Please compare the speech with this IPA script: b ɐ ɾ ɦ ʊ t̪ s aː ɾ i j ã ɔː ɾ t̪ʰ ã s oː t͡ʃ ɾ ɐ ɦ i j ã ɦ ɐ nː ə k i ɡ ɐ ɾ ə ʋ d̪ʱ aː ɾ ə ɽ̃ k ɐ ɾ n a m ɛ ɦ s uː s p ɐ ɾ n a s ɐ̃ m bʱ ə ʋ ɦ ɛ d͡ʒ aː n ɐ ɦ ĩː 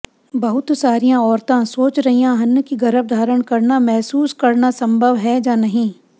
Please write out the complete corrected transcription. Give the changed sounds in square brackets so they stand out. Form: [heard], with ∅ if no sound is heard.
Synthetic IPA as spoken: b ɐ [∅] ɦ ʊ t̪ s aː ɾ i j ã ɔː ɾ [t̪] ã s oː t͡ʃ ɾ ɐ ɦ i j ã ɦ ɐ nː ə k i ɡ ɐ ɾ ə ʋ d̪ʱ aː ɾ ə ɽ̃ k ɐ ɾ n a m ɛ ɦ s uː s [k] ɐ ɾ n a s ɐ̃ m bʱ ə ʋ ɦ ɛ d͡ʒ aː n ɐ ɦ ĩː